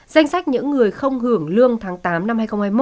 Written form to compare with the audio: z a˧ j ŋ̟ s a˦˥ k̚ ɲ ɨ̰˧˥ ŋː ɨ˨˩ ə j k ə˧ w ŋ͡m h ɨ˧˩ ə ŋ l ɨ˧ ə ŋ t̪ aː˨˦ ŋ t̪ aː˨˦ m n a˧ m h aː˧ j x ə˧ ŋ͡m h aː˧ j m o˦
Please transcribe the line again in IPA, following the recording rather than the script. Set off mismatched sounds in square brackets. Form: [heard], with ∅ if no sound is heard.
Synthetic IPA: z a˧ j ŋ̟ s a˦˥ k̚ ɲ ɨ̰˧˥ ŋː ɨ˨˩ ə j [x] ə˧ w ŋ͡m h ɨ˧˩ ə ŋ l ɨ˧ ə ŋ [t̪ʰ] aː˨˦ ŋ t̪ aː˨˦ m n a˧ m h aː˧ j x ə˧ ŋ͡m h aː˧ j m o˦